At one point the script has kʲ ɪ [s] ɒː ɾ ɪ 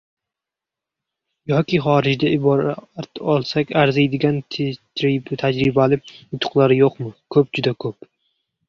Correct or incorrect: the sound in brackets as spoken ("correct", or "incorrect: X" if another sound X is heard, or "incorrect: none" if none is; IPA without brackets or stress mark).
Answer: incorrect: χ